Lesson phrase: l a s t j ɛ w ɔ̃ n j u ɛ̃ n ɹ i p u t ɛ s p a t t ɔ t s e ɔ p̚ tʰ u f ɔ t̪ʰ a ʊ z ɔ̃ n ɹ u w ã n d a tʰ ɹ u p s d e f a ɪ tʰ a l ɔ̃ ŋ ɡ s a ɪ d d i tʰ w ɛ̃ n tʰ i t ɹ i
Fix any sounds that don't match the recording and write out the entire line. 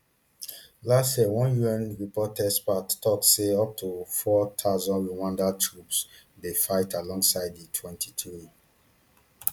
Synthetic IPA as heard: l a s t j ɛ w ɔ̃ n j u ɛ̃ n ɹ i p ɔ t ɛ s p a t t ɔ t s e ɔ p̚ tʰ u f ɔ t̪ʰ a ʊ z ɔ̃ n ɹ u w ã n d a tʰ ɹ u p s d e f a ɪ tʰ a l ɔ̃ ŋ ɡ s a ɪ d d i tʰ w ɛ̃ n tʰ i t ɹ i